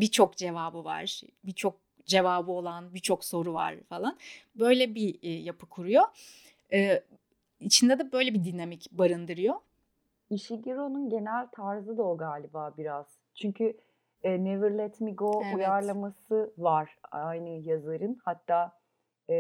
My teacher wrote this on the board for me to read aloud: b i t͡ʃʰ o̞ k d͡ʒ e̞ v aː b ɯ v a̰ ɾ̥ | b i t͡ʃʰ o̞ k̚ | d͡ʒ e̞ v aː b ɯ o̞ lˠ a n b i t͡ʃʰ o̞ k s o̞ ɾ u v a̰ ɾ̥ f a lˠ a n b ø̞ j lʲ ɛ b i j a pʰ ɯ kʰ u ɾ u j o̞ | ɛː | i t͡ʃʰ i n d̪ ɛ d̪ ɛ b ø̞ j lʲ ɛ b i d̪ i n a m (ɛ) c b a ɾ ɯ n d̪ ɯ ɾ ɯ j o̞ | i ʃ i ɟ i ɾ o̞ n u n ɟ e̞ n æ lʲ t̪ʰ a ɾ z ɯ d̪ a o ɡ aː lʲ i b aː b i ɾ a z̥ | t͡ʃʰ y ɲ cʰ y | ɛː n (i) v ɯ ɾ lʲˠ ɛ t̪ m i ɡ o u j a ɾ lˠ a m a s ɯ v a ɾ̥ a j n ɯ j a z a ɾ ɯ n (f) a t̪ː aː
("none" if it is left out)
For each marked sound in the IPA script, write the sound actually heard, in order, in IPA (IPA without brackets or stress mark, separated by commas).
i, e, h